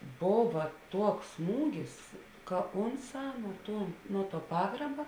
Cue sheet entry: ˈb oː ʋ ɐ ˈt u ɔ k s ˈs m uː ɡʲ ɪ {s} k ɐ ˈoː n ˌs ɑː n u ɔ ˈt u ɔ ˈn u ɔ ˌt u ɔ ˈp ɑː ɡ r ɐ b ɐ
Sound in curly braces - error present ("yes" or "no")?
no